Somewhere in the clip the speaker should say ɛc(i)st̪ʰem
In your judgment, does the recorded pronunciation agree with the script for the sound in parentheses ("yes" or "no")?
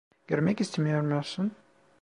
yes